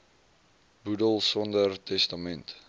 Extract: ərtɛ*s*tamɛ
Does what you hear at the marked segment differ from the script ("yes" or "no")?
no